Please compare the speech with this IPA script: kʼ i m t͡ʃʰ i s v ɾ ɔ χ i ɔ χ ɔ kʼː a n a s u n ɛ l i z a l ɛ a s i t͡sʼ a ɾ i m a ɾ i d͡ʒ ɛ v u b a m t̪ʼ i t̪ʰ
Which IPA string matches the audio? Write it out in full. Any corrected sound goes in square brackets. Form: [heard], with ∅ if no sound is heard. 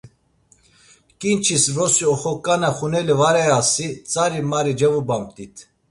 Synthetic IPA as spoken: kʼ i [n] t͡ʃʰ i s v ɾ ɔ [s] i ɔ χ ɔ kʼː a n a [χ] u n ɛ l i [v] a [ɾ] ɛ a s i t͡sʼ a ɾ i m a ɾ i d͡ʒ ɛ v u b a m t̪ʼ i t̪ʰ